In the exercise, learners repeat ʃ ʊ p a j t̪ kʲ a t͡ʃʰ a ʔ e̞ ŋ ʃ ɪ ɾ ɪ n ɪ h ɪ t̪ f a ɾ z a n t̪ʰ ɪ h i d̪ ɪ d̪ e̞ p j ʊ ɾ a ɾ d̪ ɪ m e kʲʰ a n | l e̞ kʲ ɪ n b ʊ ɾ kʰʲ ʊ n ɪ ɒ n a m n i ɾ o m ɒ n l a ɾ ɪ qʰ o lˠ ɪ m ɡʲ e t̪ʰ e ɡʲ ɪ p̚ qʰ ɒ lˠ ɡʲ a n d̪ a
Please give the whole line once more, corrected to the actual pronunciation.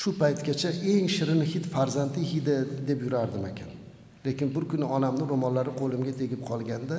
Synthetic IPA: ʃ ʊ p a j t̪ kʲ a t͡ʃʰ a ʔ e̞ ŋ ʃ ɪ ɾ ɪ n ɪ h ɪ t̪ f a ɾ z a n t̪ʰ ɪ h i d̪ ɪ d̪ e̞ p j ʊ ɾ a ɾ d̪ ɪ m e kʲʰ a n | l e̞ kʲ ɪ n b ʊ ɾ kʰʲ ʊ n ɪ ɒ n a m n ɪ ɾ o m ɒ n l a ɾ ɪ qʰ o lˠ ɪ m ɡʲ a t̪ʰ e ɡʲ ɪ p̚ qʰ ɒ lˠ ɡʲ a n d̪ a